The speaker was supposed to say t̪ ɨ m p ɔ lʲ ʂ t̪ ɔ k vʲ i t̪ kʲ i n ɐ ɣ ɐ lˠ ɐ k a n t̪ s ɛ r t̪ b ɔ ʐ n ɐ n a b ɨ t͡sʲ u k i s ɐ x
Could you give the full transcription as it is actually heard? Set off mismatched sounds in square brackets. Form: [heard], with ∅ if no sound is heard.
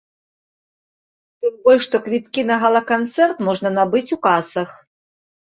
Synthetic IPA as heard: t̪ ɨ m [b] ɔ lʲ ʂ t̪ ɔ k vʲ i t̪ kʲ i n ɐ ɣ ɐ lˠ ɐ k a n t̪ s ɛ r t̪ [m] ɔ ʐ n ɐ n a b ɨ t͡sʲ u k [a] s ɐ x